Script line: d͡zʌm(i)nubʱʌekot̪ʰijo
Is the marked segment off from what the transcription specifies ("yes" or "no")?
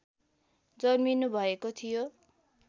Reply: no